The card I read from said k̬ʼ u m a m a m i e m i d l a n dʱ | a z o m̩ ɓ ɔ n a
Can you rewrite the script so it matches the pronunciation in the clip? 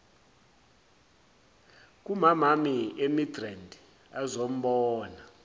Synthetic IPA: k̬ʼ u m a m a m i e m i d r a n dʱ | a z o m̩ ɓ ɔː n a

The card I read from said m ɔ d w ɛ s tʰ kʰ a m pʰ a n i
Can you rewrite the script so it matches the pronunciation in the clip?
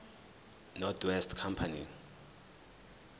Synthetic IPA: n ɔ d w ɛ s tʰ kʰ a m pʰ a n i

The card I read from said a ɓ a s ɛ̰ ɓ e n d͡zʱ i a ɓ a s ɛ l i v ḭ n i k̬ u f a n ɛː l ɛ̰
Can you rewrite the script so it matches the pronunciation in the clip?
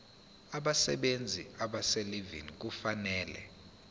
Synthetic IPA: a ɓ a s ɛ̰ ɓ e n d͡zʱ i a ɓ a s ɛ l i v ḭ n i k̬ u f a n ɛː l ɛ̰

